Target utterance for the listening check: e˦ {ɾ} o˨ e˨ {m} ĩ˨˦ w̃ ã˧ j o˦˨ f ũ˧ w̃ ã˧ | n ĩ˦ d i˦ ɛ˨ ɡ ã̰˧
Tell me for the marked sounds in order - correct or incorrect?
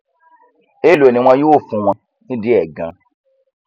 incorrect: l, incorrect: n

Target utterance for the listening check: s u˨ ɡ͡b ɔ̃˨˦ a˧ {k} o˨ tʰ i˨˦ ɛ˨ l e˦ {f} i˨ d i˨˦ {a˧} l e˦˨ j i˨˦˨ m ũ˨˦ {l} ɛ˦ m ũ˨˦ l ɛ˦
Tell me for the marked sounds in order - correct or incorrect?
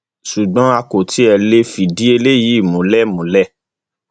correct, correct, incorrect: e˧, correct

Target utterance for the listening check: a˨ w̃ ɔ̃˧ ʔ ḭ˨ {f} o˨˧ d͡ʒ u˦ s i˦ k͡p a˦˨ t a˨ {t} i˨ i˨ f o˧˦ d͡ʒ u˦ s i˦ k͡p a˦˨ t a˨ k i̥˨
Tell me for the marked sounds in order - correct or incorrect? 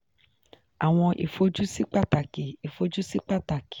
correct, incorrect: k

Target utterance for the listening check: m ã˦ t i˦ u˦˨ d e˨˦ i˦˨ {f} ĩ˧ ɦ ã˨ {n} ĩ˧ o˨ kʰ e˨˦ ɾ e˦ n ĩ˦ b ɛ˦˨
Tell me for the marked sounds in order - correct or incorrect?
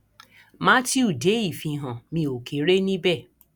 correct, incorrect: m

